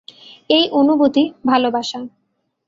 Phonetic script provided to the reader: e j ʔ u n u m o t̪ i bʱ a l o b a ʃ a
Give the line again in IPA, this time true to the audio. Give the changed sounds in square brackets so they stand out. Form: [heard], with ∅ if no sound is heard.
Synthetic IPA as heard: e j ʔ [o] n u [b] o t̪ i bʱ a l o b a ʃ a